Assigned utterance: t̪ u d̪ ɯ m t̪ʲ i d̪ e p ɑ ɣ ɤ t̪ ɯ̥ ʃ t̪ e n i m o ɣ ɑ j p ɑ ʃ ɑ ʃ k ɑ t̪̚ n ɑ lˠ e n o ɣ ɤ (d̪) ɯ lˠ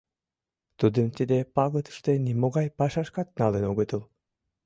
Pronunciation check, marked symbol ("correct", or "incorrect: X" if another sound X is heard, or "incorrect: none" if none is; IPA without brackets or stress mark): incorrect: t̪